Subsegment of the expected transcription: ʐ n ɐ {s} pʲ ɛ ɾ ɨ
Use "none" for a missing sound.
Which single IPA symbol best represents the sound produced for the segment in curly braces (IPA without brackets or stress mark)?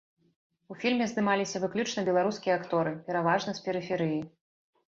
s